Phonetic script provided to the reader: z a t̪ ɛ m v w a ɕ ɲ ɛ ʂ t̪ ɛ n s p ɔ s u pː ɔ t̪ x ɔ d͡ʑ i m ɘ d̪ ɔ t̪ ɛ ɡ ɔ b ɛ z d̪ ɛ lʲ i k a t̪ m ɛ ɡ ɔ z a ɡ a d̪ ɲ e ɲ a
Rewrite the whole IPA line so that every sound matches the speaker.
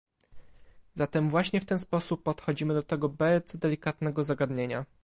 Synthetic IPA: z a t̪ ɛ m v w a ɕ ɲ ɛ f t̪ ɛ n s p ɔ s u pː ɔ t̪ x ɔ d͡ʑ i m ɘ d̪ ɔ t̪ ɛ ɡ ɔ b ɛ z d̪ ɛ lʲ i k a t̪ n ɛ ɡ ɔ z a ɡ a d̪ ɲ e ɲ a